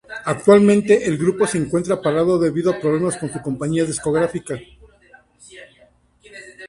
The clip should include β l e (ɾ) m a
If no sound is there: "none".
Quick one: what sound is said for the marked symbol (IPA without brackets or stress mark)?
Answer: none